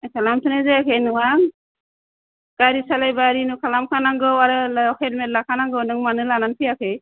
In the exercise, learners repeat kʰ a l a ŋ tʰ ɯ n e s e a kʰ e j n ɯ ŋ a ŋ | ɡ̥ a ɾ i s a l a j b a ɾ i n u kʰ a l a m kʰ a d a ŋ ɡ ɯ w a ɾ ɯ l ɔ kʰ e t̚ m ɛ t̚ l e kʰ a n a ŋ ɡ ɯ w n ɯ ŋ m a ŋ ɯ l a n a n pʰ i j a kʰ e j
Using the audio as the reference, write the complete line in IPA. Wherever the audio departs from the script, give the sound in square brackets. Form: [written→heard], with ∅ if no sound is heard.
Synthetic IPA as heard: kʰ a l a [ŋ→m] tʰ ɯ n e [s→z] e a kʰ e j n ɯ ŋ a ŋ | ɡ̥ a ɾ i s a l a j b a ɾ i n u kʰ a l a m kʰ a [d→n] a ŋ ɡ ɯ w a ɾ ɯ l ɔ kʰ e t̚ m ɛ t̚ l [e→a] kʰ a n a ŋ ɡ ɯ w n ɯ ŋ m a [ŋ→n] ɯ l a n a n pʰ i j a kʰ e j